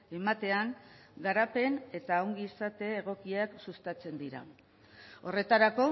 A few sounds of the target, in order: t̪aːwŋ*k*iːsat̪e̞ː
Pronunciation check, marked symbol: incorrect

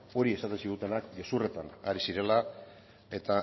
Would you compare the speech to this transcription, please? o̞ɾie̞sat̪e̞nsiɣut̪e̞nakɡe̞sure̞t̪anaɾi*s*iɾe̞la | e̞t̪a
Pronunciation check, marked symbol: correct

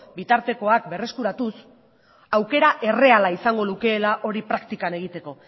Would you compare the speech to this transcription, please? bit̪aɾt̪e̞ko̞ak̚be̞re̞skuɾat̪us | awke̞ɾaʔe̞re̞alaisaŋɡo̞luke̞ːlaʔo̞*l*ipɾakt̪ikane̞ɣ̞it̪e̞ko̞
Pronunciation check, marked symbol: incorrect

